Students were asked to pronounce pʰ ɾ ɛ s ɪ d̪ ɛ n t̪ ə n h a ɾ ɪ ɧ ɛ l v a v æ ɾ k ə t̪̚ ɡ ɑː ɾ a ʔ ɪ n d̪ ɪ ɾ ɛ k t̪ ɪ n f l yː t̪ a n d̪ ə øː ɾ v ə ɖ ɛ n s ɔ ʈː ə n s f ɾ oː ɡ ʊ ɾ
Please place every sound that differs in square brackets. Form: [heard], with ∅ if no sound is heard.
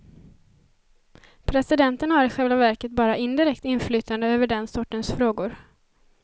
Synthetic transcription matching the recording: pʰ ɾ ɛ s ɪ d̪ ɛ n t̪ ə n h a ɾ ɪ ɧ ɛ l v a v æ ɾ k ə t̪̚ [b] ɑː ɾ a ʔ ɪ n d̪ ɪ ɾ ɛ k t̪ ɪ n f l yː t̪ a n d̪ ə øː [∅] v ə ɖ ɛ n s ɔ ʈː ə n s f ɾ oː ɡ ʊ ɾ